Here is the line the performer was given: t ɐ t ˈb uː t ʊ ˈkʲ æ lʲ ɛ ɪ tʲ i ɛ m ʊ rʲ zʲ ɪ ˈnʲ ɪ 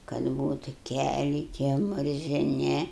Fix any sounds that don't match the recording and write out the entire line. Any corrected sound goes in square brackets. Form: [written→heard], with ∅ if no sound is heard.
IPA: [t→k] ɐ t ˈb uː t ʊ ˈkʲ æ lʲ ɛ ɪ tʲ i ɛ m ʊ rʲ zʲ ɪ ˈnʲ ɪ